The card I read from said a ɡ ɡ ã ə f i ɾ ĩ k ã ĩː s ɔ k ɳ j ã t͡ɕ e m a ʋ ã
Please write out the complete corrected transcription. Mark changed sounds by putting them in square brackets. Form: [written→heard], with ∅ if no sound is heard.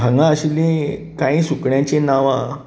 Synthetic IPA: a [ɡ→ŋ] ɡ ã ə [f→ɕ] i [ɾ→l] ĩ k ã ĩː s [ɔ→u] k ɳ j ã t͡ɕ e [m→n] a ʋ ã